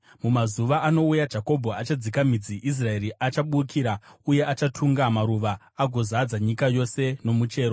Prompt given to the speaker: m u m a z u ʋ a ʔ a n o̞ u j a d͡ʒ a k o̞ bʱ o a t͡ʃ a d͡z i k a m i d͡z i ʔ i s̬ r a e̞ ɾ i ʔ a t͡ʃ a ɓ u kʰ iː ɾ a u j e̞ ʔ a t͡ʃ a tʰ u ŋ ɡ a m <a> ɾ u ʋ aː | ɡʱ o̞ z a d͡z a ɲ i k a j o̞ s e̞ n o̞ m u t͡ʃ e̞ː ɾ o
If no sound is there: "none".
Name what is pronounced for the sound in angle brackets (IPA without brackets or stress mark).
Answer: a